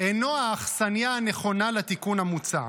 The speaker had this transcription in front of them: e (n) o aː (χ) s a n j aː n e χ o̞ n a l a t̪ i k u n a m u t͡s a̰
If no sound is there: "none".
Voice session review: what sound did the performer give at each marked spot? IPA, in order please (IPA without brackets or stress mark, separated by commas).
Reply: n, χ